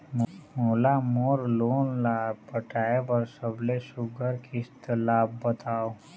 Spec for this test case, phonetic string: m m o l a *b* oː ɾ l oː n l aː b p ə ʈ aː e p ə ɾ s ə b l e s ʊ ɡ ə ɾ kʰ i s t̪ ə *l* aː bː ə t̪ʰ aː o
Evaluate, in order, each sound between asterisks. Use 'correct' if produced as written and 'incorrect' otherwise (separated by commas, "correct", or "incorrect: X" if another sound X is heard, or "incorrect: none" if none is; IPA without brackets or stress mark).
incorrect: m, correct